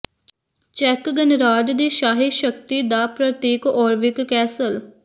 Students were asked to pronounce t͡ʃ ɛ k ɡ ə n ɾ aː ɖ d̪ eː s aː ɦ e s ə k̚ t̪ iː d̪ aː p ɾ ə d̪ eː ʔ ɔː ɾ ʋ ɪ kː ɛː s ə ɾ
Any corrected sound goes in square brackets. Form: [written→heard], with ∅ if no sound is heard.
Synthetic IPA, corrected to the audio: t͡ʃ ɛ k ɡ ə n ɾ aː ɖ d̪ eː [s→ʃ] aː ɦ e [s→ʃ] ə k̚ t̪ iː d̪ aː p ɾ ə [d̪→t̪] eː [ʔ→k] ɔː ɾ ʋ ɪ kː ɛː s ə [ɾ→l]